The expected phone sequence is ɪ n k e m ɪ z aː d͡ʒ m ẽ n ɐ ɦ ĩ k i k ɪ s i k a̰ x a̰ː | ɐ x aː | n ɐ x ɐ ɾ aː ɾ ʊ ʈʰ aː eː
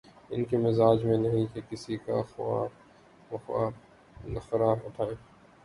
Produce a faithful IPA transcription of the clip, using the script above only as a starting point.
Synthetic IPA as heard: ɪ n k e m ɪ z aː d͡ʒ m ẽ n ɐ ɦ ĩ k e k ɪ s i k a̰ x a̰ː | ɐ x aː | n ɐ x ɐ ɾ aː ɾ ʊ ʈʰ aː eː